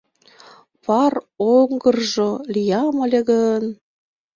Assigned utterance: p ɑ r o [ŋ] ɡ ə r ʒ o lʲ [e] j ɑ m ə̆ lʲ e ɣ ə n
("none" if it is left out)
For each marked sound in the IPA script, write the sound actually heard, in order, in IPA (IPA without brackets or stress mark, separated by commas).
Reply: ŋ, i